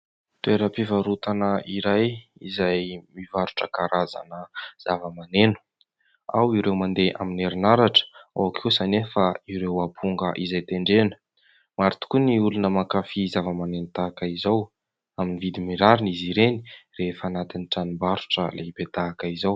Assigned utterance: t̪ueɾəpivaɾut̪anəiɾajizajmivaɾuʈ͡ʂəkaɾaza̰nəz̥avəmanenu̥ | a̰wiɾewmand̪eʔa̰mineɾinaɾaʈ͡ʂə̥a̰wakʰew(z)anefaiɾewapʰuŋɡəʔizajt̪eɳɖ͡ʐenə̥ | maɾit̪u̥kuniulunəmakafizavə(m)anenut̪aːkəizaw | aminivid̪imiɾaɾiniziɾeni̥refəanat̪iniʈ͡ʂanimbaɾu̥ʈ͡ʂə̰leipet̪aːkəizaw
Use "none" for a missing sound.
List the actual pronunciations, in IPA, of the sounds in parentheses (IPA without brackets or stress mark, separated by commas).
s, m